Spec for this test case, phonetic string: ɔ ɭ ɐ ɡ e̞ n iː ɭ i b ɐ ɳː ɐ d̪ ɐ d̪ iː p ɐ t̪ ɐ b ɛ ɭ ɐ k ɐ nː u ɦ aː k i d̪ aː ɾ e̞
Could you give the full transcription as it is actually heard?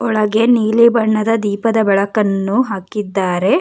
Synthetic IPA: ɔ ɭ ɐ ɡ e̞ n iː l i b ɐ ɳː ɐ d̪ ɐ d̪ iː p ɐ d̪ ɐ b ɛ ɭ ɐ k ɐ nː u ɦ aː k i d̪ː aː ɾ e̞